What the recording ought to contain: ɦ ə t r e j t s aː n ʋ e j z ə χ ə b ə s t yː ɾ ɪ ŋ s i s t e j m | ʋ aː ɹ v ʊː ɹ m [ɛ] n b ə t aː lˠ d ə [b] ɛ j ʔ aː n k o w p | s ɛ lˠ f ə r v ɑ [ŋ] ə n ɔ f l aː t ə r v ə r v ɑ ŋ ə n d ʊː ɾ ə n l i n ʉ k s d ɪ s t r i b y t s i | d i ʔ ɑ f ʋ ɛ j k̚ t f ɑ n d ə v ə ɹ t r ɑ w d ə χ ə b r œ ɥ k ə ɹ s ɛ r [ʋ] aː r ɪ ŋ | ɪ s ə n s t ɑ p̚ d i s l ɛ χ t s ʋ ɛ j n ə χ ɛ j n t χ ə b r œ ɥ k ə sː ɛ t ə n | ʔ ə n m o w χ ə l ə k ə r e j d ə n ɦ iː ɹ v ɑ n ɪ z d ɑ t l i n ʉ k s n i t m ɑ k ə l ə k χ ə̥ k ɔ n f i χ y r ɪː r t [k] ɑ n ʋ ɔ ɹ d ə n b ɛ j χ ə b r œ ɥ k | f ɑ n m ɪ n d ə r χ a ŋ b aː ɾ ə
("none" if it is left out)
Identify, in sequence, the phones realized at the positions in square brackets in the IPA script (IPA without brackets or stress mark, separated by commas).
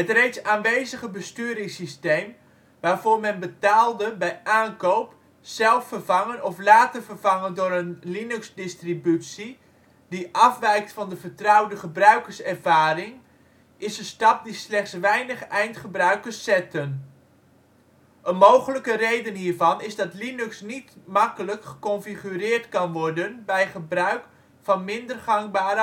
ɛ, b, ŋ, v, k